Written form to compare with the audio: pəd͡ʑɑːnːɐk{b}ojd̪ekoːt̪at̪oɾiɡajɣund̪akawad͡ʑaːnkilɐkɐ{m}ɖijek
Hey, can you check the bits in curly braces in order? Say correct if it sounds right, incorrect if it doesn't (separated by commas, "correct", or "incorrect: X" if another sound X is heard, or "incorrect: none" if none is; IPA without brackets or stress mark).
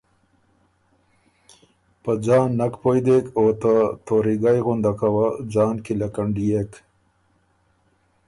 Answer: incorrect: p, incorrect: ɳ